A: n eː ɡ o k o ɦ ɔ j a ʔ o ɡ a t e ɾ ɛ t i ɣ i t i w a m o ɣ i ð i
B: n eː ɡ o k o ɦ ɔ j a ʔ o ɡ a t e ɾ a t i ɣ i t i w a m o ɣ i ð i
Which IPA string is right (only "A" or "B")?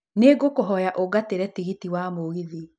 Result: A